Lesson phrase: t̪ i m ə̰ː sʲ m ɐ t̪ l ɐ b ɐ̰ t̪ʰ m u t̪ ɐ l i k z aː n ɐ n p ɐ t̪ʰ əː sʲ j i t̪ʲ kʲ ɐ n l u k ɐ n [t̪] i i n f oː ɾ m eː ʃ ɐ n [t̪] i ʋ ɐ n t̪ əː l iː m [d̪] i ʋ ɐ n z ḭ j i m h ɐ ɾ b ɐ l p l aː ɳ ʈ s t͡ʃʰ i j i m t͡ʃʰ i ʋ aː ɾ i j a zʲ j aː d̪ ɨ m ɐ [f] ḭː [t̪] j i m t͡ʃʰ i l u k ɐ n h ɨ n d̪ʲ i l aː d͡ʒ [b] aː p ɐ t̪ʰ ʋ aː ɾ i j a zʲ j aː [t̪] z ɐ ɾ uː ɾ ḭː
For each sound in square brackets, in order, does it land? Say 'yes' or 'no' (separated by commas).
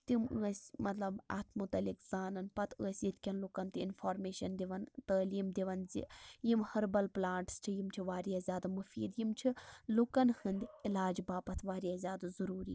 yes, no, yes, yes, no, yes, no